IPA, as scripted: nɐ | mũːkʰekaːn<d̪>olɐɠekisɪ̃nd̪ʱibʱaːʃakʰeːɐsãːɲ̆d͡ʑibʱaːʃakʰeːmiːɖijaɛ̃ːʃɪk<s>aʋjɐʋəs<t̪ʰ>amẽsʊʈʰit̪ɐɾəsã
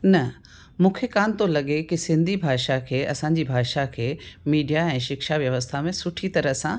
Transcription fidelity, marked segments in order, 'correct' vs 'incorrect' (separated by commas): incorrect, incorrect, correct